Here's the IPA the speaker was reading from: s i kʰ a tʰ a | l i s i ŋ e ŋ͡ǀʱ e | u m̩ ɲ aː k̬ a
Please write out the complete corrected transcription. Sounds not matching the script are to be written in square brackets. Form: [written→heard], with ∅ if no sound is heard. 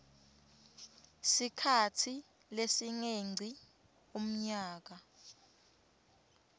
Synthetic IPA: s i kʰ a tʰ [a→i] | l [i→e] s i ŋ e ŋ͡ǀʱ [e→i] | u m̩ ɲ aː k̬ a